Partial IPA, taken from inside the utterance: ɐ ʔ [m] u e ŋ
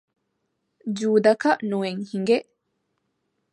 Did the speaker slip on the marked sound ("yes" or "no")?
yes